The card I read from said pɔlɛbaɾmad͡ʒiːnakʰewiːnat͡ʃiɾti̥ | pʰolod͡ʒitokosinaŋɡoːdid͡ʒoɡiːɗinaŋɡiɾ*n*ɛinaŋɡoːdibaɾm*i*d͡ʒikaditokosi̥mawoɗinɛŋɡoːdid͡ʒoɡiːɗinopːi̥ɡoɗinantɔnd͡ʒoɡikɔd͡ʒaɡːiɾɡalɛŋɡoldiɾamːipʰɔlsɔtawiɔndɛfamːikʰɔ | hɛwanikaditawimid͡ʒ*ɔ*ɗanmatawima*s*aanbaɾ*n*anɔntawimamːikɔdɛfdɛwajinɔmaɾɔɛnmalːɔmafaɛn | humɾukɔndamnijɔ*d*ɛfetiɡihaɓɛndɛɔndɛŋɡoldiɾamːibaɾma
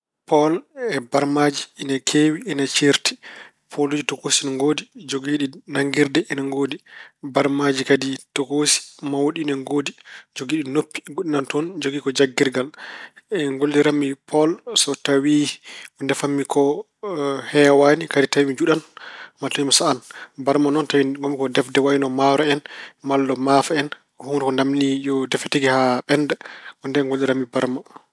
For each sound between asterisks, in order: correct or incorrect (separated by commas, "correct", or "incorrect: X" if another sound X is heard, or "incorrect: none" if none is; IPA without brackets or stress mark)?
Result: incorrect: d, incorrect: a, incorrect: u, correct, incorrect: m, correct